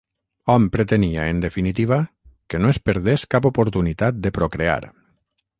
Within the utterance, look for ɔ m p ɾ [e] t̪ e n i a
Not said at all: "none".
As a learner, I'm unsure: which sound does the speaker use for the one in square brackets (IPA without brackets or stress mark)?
e